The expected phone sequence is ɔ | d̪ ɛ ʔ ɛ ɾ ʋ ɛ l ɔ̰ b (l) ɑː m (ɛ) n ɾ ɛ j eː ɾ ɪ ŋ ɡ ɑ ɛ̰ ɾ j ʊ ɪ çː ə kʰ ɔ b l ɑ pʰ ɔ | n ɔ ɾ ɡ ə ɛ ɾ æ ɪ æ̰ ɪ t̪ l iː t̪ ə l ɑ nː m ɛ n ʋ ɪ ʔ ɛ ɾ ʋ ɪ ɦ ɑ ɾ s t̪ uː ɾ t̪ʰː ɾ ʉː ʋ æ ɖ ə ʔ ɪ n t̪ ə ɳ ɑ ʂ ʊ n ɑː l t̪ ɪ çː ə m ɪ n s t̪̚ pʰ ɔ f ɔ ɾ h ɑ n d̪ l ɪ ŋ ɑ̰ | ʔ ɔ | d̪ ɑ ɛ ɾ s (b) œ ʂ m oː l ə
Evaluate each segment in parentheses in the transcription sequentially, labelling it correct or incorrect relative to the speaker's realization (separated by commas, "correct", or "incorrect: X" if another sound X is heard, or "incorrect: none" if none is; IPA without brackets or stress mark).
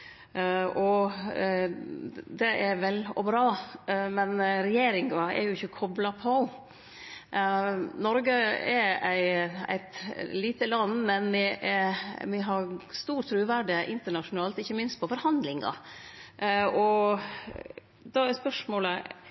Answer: incorrect: ɾ, correct, incorrect: p